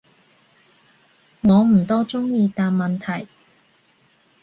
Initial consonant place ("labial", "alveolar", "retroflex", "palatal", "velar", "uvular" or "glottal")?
velar